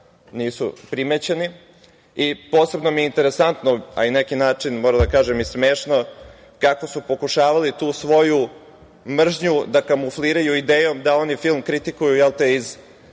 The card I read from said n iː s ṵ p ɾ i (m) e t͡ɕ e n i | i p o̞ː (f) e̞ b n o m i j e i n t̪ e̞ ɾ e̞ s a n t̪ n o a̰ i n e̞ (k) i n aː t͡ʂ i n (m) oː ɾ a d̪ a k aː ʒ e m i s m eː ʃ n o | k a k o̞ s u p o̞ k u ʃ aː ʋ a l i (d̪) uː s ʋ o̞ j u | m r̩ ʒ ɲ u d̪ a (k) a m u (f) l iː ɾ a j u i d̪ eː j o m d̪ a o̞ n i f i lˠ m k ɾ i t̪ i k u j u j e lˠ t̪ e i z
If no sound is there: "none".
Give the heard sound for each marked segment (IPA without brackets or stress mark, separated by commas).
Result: m, s, k, m, t̪, k, f